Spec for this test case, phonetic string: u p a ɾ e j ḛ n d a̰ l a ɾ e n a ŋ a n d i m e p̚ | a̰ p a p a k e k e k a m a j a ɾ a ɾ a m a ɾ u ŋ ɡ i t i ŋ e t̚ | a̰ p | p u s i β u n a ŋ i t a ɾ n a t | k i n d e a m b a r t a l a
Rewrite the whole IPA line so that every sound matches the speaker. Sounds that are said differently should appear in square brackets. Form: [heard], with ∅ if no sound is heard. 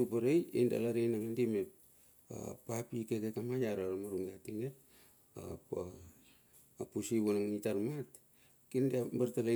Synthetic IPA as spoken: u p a ɾ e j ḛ n d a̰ l a ɾ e n a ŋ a n d i m e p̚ | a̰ p a p [i] k e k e k a m a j a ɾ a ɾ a m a ɾ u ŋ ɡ [a] t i ŋ e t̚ | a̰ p | p u s i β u n a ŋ i t a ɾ [m] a t | k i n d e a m b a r t a l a